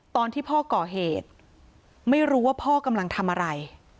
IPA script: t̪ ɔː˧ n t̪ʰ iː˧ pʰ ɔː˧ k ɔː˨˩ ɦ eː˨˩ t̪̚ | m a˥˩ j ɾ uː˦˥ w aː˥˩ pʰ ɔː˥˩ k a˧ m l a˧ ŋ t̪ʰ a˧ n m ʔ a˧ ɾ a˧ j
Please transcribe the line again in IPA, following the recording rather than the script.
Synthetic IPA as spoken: t̪ ɔː˧ n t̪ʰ iː˥˩ pʰ ɔː˥˩ k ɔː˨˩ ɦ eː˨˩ t̪̚ | m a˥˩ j ɾ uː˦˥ w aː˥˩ pʰ ɔː˥˩ k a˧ m l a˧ ŋ t̪ʰ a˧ m ʔ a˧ ɾ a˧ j

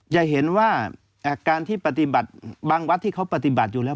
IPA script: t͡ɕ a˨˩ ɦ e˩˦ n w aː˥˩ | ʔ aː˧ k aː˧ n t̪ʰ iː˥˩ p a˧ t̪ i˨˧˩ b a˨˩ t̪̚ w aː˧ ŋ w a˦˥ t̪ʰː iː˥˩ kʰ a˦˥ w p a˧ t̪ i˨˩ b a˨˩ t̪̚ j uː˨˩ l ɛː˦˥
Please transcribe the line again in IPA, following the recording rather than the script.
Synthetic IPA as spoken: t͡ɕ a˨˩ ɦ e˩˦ n w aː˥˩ | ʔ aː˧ k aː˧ n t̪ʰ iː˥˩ p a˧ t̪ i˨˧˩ b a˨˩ t̪̚ b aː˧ ŋ w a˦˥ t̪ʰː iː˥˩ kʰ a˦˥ w p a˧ t̪ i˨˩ b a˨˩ t̪̚ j uː˨˩ l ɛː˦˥

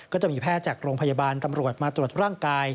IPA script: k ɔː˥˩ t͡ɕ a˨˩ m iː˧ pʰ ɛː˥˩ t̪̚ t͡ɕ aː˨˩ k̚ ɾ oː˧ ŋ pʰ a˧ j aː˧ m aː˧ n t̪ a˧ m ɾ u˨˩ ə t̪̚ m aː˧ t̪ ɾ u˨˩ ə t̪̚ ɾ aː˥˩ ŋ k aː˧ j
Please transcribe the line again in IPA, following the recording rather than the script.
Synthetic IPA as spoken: k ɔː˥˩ t͡ɕ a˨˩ m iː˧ pʰ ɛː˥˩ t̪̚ t͡ɕ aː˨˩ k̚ ɾ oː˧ ŋ pʰ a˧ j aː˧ b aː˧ n t̪ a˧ m ɾ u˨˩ ə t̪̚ m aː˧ t̪ ɾ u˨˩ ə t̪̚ ɾ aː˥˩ ŋ k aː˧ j

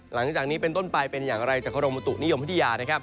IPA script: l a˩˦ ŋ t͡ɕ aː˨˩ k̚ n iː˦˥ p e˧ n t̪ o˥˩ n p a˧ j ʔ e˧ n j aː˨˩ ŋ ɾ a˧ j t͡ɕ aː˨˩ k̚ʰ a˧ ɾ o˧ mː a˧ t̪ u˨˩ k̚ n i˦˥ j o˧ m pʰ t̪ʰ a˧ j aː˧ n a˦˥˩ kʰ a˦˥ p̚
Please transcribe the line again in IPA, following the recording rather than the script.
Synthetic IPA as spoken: l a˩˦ ŋ t͡ɕ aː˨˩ k̚ n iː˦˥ p e˧ n t̪ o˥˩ n p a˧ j p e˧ n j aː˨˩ ŋ ɾ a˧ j t͡ɕ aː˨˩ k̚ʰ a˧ ɾ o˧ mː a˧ t̪ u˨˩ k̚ n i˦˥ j o˧ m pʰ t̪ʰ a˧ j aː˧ n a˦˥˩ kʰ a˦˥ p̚

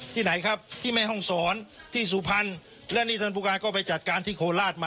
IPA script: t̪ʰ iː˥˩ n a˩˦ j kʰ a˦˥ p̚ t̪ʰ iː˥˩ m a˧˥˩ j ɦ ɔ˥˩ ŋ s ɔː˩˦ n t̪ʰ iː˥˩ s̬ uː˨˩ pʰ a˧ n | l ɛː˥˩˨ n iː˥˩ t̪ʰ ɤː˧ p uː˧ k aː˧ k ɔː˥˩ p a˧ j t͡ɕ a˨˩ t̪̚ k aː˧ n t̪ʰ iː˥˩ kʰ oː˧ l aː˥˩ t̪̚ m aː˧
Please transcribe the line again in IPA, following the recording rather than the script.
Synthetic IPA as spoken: t̪ʰ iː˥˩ n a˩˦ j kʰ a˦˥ p̚ t̪ʰ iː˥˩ m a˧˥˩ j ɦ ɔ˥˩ ŋ s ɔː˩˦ n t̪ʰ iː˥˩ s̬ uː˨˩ pʰ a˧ n | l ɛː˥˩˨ n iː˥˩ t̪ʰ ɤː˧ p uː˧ k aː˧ k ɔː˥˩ p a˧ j t͡ɕ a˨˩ t̪̚ k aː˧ n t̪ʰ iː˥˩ kʰ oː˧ l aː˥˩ t̪̚ m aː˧

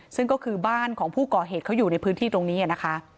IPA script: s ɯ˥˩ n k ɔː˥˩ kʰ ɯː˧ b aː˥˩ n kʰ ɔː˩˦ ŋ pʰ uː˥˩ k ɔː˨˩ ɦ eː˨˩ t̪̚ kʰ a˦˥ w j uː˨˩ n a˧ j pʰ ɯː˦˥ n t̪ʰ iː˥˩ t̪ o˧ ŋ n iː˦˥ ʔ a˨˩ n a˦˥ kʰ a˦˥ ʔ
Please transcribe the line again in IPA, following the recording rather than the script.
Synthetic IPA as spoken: s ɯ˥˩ ŋ k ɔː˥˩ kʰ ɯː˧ b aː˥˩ n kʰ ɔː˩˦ ŋ pʰ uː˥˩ k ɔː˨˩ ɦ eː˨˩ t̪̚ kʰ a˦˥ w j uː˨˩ n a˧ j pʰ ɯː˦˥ n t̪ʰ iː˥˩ t̪ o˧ ŋ n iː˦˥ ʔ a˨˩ n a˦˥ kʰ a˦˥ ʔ

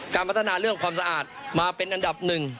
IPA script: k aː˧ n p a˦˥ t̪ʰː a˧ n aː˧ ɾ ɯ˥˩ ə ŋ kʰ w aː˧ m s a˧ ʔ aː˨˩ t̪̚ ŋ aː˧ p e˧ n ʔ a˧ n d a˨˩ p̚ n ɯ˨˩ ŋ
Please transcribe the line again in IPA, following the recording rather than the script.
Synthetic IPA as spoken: k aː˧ n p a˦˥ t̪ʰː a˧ n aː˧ ɾ ɯ˥˩ ə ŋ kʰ w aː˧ m s a˧ ʔ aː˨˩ t̪̚ m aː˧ p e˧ n ʔ a˧ n d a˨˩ p̚ n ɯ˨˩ ŋ

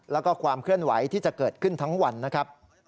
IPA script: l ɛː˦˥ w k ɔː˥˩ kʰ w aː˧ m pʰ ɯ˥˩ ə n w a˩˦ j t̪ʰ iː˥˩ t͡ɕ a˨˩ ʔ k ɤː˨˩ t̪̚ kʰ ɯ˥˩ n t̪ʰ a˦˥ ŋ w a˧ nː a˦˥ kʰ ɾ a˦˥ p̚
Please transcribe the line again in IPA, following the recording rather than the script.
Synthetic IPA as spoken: l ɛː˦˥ w k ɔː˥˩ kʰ w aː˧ m kʰ ɯ˥˩ ə n w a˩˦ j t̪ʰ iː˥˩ t͡ɕ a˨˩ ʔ k ɤː˨˩ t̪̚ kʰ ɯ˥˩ n t̪ʰ a˦˥ ŋ w a˧ nː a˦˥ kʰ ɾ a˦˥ p̚

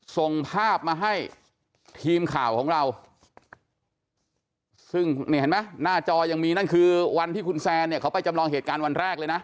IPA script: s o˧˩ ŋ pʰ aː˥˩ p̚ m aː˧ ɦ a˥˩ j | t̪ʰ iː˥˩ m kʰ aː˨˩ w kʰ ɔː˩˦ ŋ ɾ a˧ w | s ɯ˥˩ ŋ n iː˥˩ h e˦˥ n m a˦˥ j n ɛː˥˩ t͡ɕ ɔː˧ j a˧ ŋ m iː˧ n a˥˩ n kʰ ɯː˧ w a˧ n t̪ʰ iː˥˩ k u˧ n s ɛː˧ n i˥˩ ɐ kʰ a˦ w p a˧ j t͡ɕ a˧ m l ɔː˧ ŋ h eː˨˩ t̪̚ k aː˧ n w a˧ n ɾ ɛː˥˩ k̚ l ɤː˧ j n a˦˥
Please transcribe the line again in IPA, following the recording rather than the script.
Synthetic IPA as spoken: s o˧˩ ŋ pʰ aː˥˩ p̚ m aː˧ ɦ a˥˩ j | t̪ʰ iː˧ m kʰ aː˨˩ w kʰ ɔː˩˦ ŋ ɾ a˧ w | s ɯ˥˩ ŋ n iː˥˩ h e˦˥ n m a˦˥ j n aː˥˩ t͡ɕ ɔː˧ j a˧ ŋ m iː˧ n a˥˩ n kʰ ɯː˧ w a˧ n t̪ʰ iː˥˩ k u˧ n s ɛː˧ n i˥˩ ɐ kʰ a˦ w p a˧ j t͡ɕ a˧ m l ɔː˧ ŋ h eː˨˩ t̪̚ k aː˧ n w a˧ n ɾ ɛː˥˩ k̚ l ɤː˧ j n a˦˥

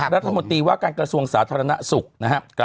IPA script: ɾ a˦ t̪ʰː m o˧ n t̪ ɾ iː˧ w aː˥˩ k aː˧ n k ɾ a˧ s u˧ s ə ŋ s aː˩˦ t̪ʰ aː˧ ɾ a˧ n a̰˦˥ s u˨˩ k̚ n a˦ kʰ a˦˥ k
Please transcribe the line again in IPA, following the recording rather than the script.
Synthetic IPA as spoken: ɾ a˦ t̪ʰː m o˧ n t̪ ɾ iː˧ w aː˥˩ k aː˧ n k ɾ a˧ s u˧ ə ŋ s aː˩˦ t̪ʰ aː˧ ɾ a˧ n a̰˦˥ s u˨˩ k̚ n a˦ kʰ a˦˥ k

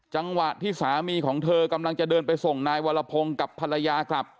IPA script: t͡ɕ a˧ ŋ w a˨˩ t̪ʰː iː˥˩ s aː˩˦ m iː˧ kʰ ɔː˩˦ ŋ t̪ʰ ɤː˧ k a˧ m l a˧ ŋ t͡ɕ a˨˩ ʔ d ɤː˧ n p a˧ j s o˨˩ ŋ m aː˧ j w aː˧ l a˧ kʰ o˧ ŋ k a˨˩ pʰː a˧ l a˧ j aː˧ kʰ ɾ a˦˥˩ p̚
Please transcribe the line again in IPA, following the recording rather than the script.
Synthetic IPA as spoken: t͡ɕ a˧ ŋ w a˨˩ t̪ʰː iː˥˩ s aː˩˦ m iː˧ kʰ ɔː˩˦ ŋ t̪ʰ ɤː˧ k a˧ m l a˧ ŋ t͡ɕ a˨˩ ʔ d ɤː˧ n p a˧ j s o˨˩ ŋ n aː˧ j w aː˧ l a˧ pʰ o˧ ŋ k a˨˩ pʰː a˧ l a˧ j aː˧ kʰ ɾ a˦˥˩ p̚

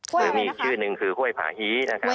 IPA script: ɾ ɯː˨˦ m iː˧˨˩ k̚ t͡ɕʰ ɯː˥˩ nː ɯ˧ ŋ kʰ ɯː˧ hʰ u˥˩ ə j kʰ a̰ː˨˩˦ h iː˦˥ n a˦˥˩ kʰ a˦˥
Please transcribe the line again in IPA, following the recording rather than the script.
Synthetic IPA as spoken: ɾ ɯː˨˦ m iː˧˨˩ k̚ t͡ɕʰ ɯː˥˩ n ɯ˧ ŋ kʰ ɯː˧ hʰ u˥˩ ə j pʰ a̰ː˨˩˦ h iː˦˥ n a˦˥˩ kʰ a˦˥

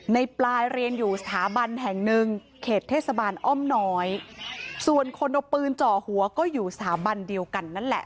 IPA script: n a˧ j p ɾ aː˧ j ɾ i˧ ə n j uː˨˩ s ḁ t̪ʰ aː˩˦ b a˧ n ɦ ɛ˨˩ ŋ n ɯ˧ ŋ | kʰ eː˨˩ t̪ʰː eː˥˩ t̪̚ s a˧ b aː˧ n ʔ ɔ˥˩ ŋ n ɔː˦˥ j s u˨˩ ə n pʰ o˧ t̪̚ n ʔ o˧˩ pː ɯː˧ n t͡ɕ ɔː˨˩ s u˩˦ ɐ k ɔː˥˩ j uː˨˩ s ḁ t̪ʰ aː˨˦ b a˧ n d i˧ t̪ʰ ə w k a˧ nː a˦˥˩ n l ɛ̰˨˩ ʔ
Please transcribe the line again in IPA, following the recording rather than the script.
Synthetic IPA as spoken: n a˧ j p l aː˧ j ɾ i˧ ə n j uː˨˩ s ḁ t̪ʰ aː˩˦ b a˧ n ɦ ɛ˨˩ ŋ n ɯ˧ ŋ | kʰ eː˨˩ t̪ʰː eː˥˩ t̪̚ s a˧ b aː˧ n ʔ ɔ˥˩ m n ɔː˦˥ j s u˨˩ ə n kʰ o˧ n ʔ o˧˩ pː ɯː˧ n t͡ɕ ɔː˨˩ h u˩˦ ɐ k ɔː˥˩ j uː˨˩ s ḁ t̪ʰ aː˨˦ b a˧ n d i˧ ə w k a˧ nː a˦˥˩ n l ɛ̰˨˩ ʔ

